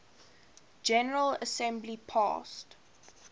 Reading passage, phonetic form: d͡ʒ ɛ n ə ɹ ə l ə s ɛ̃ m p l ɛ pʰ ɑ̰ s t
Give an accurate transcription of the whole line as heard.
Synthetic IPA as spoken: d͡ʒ ɛ n ə ɹ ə l ə s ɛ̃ m b l i pʰ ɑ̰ s t